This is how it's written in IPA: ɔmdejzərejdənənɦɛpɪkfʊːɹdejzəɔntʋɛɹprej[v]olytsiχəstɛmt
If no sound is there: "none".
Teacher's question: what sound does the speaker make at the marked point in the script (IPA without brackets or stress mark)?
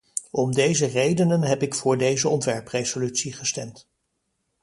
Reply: z